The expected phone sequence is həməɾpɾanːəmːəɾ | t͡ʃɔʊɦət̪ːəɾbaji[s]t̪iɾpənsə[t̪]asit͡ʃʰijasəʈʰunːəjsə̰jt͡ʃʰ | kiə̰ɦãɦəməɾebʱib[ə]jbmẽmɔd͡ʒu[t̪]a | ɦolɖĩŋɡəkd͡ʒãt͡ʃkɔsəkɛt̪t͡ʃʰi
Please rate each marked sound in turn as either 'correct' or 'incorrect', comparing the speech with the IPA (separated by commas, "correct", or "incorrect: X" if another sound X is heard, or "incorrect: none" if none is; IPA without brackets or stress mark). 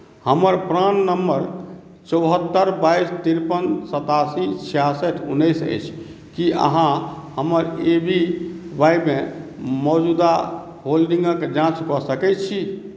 correct, correct, incorrect: a, incorrect: d̪